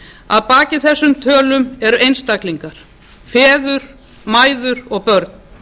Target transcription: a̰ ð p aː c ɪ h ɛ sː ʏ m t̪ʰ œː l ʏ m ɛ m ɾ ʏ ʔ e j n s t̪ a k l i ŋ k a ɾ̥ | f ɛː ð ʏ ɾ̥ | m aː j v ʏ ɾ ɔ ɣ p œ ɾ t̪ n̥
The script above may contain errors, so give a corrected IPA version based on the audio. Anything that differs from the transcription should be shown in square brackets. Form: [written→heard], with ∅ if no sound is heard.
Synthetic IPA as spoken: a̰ ð p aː c ɪ [h→θ] ɛ sː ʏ m t̪ʰ œː l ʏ m ɛ [m→∅] ɾ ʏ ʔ e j n s t̪ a k l i ŋ k a ɾ̥ | f ɛː ð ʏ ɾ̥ | m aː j [v→ð] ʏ ɾ ɔ ɣ p œ ɾ t̪ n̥

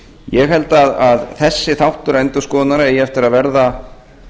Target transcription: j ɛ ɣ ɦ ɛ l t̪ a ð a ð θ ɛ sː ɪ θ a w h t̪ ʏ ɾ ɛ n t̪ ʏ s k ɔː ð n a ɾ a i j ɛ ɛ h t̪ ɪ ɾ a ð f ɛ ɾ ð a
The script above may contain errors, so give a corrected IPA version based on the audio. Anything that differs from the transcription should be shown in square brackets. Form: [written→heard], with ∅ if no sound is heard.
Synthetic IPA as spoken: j ɛ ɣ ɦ ɛ l t̪ a ð a ð θ ɛ sː ɪ θ a w h t̪ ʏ ɾ ɛ n t̪ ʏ s k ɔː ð n a ɾ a [i→ɛ] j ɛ ɛ [h→f] t̪ ɪ ɾ a ð [f→v] ɛ ɾ ð a

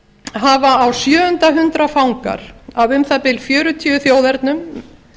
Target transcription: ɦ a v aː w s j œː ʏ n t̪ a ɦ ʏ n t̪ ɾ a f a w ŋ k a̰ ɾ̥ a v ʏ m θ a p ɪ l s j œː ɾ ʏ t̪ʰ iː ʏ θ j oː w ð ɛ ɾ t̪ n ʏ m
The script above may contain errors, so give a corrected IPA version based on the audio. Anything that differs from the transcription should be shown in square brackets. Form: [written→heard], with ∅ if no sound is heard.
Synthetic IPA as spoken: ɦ a v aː w s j œː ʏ n t̪ a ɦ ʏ n t̪ ɾ a f a w ŋ k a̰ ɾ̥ a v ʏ m θ a p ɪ l [s→f] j œː ɾ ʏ t̪ʰ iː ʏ θ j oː w ð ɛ ɾ t̪ n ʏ m

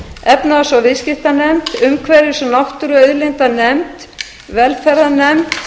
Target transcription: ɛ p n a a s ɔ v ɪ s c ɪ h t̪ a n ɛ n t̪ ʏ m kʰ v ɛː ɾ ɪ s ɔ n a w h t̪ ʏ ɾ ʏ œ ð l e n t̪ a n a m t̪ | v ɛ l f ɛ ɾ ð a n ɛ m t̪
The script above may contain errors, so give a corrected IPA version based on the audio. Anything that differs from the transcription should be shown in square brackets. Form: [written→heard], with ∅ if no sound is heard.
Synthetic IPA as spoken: ɛ p n a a s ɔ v ɪ s c ɪ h t̪ a n ɛ [n→m] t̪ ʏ m kʰ v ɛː ɾ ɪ s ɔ n a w h t̪ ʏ ɾ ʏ œ ð l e n t̪ a n [a→ɛ] m t̪ | v ɛ l f ɛ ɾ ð a n ɛ m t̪

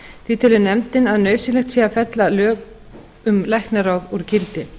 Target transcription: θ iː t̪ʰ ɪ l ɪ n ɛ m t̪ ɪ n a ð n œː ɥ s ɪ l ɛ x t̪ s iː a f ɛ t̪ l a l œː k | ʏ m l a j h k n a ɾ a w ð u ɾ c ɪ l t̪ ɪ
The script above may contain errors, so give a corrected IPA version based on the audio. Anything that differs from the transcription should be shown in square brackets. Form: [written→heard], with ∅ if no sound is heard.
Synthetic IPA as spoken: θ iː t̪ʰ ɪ l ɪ n ɛ m t̪ ɪ n a ð n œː ɥ s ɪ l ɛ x t̪ s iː a f ɛ t̪ l a l œː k | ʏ m l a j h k n a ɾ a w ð u ɾ c ɪ l t̪ ɪ

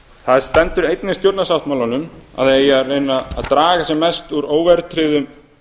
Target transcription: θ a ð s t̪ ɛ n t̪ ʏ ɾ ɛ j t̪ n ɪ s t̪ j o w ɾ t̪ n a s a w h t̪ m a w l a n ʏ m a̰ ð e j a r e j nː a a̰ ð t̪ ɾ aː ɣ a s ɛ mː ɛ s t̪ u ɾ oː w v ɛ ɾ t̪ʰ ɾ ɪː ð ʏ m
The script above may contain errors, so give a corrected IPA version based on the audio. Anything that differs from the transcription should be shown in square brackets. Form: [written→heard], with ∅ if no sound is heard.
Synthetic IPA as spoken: θ a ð s t̪ ɛ n t̪ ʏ ɾ [ɛ→e] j t̪ n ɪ s t̪ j o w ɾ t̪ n a s a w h t̪ m a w l a n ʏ m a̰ ð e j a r e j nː a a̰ ð t̪ ɾ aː ɣ a s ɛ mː ɛ s t̪ u ɾ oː w v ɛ ɾ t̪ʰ ɾ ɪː ð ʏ m

